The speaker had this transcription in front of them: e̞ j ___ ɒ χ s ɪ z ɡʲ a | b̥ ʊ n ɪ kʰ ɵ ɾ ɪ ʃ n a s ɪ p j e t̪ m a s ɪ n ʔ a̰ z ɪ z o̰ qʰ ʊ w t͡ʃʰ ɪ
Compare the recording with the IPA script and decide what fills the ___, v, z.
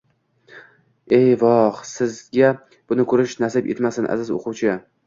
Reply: v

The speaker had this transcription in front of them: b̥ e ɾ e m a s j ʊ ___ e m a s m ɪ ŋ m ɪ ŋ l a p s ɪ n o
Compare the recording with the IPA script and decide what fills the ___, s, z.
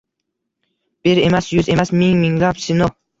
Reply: z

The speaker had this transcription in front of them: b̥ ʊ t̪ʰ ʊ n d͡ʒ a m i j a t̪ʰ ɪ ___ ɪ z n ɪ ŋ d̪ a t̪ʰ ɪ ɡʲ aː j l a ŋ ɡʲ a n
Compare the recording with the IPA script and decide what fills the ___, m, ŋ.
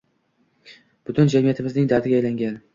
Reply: m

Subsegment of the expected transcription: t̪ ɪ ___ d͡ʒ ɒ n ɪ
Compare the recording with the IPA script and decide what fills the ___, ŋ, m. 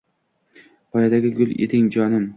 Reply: ŋ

